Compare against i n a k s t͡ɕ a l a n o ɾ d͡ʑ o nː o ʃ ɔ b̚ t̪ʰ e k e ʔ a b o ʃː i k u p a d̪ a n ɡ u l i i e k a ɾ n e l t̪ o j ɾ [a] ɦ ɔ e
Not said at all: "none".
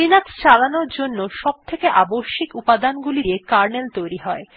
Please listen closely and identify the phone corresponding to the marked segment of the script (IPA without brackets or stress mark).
i